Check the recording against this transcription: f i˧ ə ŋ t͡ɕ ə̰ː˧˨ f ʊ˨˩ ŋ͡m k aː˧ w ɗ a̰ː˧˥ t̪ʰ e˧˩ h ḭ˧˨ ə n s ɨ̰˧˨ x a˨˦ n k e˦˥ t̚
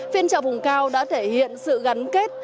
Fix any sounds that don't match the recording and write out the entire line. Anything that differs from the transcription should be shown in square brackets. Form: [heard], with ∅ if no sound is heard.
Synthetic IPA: f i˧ ə [n] t͡ɕ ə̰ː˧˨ [v] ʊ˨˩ ŋ͡m k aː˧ w ɗ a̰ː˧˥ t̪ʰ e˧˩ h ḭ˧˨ ə n s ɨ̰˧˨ [ɣ] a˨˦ n k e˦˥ t̚